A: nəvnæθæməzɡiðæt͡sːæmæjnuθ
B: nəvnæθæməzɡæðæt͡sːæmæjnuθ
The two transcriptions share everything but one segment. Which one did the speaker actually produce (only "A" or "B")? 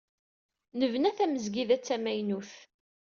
A